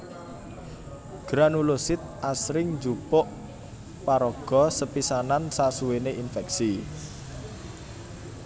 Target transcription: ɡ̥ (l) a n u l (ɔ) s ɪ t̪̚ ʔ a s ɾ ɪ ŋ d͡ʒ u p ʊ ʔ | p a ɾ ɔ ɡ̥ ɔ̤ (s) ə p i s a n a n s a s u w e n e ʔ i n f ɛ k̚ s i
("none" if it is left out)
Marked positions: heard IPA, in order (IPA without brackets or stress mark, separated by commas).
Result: ɾ, o, s